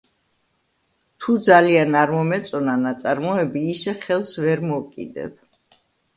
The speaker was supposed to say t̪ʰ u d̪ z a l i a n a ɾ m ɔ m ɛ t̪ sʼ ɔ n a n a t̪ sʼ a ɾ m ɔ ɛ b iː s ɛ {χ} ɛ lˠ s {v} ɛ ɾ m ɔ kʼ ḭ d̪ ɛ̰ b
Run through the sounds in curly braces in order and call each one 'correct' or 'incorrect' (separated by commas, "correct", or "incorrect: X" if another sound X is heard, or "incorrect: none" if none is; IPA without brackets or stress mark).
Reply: correct, correct